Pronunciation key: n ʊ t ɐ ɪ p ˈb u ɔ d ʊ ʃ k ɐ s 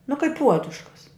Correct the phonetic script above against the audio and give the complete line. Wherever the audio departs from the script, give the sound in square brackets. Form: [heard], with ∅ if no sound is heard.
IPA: n ʊ [k] ɐ ɪ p [ˈp] u ɔ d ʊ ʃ k ɐ s